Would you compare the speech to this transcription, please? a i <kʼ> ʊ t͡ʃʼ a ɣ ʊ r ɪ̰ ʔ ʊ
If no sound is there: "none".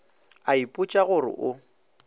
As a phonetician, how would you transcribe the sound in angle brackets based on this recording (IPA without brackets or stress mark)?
pʼ